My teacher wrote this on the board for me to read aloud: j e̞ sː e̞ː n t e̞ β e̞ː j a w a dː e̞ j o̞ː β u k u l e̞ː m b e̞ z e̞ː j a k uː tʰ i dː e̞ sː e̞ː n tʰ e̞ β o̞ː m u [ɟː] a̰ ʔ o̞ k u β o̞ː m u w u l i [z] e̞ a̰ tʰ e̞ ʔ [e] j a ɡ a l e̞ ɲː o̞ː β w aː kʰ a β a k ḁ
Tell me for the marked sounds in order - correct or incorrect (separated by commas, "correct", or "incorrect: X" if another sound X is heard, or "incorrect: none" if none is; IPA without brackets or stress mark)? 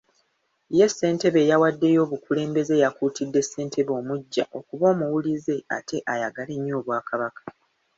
correct, correct, incorrect: a